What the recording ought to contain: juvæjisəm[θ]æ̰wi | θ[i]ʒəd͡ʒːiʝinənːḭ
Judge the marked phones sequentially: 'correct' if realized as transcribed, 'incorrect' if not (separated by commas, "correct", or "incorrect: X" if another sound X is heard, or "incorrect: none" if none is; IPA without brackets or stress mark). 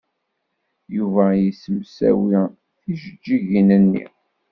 incorrect: s, correct